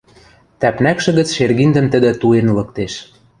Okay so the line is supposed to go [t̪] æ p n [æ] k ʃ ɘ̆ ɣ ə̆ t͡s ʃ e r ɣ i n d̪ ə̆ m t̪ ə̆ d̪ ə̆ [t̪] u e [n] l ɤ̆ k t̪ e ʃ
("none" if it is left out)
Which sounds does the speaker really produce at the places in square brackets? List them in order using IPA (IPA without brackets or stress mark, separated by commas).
t̪, æ, t̪, n